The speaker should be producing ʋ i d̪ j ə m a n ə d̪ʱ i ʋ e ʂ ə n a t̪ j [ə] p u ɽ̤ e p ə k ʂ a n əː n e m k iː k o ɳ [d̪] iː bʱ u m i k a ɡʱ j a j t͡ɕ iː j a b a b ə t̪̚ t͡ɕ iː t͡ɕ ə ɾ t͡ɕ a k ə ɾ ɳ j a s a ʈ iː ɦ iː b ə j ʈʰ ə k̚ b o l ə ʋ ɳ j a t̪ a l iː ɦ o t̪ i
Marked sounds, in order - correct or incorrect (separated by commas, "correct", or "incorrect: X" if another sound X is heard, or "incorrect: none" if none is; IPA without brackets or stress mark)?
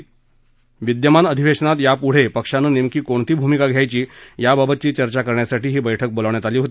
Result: incorrect: a, incorrect: t̪